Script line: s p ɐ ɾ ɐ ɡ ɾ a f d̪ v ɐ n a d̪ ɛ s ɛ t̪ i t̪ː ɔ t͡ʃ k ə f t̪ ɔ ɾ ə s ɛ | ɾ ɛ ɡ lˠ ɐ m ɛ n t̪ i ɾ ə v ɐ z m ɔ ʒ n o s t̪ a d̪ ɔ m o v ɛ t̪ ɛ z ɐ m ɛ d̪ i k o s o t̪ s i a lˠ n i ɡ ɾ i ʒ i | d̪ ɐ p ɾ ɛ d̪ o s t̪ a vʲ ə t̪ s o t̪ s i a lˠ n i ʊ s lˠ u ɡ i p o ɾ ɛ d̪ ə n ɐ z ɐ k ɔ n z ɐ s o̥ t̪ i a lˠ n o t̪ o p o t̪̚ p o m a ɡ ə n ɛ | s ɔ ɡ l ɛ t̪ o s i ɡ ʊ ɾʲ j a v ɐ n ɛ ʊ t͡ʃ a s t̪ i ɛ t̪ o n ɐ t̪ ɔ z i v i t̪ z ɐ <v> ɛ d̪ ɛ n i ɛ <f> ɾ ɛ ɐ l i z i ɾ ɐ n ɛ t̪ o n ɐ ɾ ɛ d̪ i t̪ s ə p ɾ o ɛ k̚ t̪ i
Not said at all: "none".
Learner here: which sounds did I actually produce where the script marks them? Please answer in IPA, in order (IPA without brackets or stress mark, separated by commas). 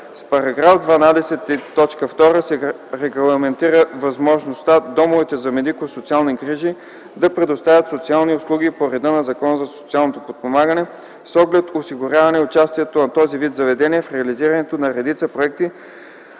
v, f